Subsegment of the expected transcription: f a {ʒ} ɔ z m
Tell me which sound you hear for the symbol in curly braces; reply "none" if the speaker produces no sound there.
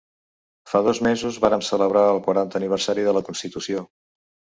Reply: ð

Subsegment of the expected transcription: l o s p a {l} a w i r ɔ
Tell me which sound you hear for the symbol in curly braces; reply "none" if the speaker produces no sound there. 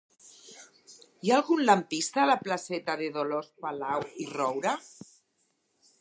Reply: l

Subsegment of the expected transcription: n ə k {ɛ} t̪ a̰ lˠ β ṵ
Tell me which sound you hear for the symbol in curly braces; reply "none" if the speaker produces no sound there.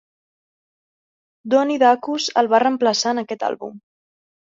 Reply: ɛ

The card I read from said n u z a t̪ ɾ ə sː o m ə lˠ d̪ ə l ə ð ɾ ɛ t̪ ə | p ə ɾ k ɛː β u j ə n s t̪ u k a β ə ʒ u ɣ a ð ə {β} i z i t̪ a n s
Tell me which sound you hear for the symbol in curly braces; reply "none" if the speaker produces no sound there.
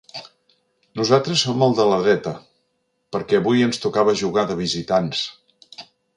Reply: β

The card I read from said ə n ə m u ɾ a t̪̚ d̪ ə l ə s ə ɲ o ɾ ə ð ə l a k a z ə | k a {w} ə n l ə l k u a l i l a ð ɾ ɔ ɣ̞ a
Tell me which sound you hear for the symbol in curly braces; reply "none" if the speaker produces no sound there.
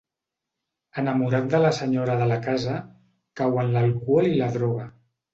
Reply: w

